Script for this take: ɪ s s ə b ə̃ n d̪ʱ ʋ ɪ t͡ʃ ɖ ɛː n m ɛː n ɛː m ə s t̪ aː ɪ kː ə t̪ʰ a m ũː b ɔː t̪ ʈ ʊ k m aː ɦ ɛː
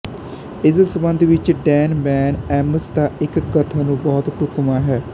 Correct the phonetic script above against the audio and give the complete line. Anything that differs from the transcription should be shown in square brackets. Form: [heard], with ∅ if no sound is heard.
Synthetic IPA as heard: ɪ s s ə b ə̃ n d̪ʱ ʋ ɪ t͡ʃ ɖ ɛː n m ɛː n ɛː m ə s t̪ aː ɪ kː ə t̪ʰ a [n] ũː b ɔː t̪ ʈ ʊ k m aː ɦ ɛː